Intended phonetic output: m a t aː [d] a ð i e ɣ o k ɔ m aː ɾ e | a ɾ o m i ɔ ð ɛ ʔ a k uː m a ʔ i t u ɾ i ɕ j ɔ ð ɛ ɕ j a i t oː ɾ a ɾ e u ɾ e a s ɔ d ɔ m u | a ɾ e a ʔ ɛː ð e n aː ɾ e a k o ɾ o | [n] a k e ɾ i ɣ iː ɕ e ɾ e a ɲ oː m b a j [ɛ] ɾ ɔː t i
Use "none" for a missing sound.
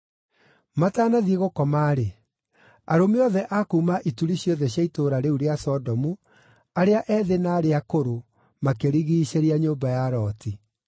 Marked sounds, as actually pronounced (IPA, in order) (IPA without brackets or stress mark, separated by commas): n, m, a